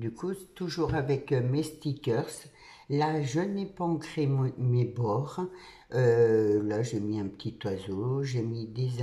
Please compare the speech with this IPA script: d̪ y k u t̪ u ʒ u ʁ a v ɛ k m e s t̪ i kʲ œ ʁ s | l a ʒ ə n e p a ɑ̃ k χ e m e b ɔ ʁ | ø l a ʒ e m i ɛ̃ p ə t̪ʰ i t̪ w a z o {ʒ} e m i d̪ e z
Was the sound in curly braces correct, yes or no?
yes